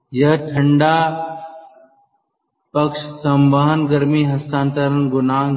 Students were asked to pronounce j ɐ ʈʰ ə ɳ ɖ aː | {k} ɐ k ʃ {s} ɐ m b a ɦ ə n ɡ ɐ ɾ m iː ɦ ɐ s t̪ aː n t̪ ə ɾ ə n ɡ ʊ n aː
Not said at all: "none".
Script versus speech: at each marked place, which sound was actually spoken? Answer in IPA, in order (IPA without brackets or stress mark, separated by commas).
p, s